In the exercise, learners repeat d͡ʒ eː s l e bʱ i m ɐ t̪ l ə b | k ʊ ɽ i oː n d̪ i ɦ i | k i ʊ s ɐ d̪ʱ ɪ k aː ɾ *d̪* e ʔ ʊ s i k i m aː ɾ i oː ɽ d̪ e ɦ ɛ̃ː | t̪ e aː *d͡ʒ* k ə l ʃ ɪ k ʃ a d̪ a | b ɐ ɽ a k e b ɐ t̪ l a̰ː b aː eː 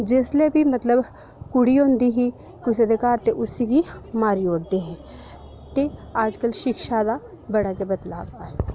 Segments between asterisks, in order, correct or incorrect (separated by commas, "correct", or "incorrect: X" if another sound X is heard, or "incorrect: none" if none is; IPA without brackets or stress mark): incorrect: t̪, correct